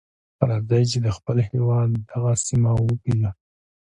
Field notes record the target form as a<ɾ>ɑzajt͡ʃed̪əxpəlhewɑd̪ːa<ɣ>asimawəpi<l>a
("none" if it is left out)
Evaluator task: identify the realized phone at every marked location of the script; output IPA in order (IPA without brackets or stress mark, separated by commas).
ɾ, ɣ, l